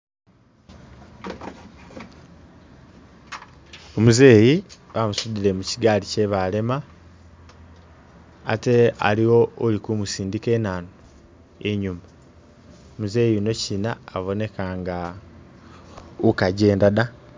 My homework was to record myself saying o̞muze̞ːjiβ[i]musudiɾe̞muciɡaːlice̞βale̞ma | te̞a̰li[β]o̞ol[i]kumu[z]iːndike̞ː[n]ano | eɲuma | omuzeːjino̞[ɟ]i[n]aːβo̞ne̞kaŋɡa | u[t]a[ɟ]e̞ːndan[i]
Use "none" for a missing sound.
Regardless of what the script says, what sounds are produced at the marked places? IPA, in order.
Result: a, w, i, s, n, c, n, k, ɟ, a

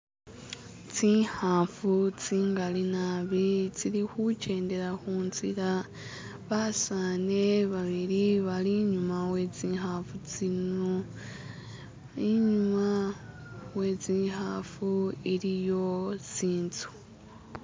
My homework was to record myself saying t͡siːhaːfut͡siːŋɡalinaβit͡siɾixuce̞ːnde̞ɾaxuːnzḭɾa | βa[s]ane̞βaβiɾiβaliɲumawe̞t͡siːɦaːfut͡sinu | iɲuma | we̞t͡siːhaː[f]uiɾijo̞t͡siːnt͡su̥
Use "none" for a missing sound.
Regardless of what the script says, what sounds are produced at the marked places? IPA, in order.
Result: s, f

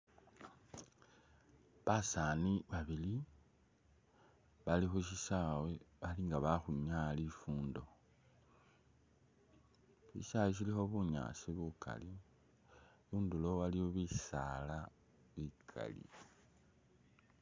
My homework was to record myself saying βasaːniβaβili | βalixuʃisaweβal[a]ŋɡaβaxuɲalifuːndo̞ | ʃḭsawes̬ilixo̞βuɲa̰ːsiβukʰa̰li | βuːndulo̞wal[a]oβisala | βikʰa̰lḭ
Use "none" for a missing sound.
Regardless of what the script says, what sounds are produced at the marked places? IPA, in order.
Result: i, i

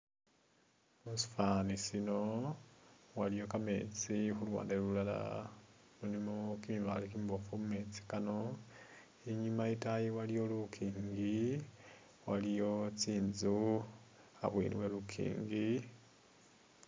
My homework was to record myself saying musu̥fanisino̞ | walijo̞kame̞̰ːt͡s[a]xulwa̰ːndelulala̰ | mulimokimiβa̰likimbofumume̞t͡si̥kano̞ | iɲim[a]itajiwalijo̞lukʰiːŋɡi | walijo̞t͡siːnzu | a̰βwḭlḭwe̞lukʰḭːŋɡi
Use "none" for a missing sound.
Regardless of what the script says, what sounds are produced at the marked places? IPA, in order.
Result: i, a

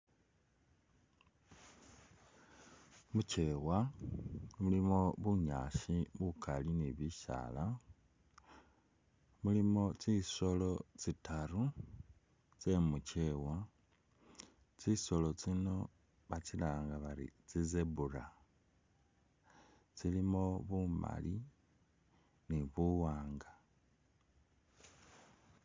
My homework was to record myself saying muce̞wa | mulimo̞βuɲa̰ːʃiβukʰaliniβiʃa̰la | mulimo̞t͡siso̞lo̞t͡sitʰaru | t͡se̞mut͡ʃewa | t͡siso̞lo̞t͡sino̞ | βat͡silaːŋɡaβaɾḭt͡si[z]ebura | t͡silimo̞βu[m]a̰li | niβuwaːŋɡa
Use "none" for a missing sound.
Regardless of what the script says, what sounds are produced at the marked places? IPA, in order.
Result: z, m

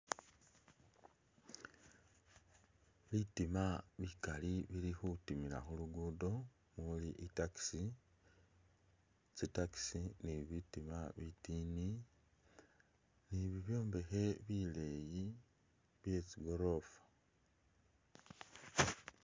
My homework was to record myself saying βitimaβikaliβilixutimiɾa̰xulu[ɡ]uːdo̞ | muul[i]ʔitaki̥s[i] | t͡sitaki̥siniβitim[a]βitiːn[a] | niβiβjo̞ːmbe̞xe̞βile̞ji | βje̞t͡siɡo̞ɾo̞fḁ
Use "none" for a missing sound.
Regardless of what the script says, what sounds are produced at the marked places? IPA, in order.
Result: ɡ, i, i, a, i

